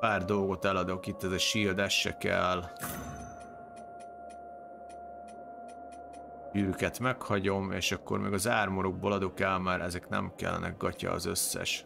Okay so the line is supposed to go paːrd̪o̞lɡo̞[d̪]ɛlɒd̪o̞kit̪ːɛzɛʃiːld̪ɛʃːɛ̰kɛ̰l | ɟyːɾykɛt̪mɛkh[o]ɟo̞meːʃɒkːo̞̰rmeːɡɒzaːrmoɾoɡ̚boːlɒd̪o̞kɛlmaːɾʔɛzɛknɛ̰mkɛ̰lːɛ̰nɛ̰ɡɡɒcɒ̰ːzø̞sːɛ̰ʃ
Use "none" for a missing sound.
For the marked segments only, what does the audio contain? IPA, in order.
t̪, ɒ

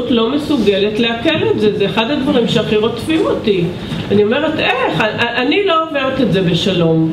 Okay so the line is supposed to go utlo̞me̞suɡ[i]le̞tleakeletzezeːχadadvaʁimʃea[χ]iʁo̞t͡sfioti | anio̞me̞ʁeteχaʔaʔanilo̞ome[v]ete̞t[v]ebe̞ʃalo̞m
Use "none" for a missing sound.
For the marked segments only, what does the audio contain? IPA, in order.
e, χ, ʁ, z

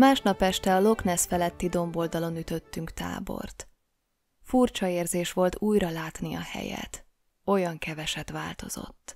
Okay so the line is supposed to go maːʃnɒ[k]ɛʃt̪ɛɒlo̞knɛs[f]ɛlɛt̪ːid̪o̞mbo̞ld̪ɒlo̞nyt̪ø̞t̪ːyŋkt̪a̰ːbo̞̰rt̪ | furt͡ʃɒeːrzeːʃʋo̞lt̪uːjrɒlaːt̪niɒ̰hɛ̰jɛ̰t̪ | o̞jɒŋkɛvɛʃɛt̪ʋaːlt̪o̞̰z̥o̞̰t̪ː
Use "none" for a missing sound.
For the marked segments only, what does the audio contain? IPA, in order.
p, f

